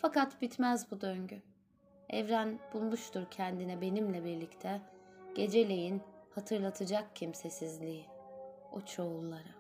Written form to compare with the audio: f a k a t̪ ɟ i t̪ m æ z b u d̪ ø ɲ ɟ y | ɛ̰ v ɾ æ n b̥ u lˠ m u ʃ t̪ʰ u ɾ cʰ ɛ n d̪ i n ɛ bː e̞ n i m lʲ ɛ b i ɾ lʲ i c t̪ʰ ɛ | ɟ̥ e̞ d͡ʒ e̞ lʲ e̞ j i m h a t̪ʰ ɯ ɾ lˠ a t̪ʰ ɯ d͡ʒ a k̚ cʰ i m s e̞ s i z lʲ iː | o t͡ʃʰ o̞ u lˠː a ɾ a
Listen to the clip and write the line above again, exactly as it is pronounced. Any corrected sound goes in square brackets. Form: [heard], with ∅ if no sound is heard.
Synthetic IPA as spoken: f a k a t̪ [b] i t̪ m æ z b u d̪ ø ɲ ɟ y | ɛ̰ v ɾ æ n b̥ u lˠ m u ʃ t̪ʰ u ɾ cʰ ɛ n d̪ i n ɛ [b] e̞ n i m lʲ ɛ b i ɾ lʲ i c t̪ʰ ɛ | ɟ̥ e̞ d͡ʒ e̞ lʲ e̞ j i [n] h a t̪ʰ ɯ ɾ lˠ a t̪ʰ ɯ d͡ʒ a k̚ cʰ i m s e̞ s i z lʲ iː | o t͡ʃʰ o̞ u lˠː a ɾ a